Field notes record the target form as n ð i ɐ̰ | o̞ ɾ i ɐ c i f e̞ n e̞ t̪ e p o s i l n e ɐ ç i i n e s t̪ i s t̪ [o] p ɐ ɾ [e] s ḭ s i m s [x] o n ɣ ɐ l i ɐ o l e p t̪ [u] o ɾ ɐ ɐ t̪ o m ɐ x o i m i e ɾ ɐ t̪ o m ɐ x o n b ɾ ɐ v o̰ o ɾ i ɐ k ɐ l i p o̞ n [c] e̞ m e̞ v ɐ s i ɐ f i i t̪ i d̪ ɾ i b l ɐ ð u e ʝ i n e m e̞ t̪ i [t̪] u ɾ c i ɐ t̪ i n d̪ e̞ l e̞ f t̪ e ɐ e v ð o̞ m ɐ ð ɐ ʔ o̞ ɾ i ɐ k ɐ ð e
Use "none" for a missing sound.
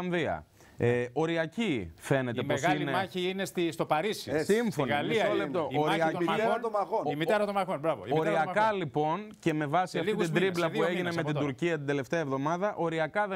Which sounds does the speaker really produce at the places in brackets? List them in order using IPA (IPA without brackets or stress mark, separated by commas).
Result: o, i, f, o, c, d̪